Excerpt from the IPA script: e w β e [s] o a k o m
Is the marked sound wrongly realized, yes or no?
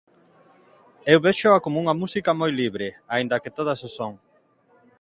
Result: yes